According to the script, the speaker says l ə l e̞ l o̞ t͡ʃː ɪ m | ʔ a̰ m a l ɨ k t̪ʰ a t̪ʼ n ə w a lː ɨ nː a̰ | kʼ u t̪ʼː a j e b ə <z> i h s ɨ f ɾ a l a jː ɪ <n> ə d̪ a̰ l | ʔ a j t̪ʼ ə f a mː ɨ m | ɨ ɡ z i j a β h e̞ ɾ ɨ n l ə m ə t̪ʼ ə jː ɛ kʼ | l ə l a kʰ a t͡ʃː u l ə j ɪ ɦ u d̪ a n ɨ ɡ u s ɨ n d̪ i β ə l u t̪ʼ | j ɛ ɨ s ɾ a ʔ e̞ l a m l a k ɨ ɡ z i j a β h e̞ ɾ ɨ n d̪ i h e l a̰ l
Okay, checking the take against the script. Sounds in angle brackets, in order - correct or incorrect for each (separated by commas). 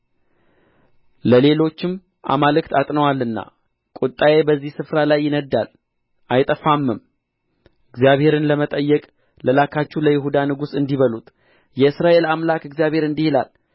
incorrect, correct